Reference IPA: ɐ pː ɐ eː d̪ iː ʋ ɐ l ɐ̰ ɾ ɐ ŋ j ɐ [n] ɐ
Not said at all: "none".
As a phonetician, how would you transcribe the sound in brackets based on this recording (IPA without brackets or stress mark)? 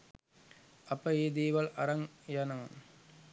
n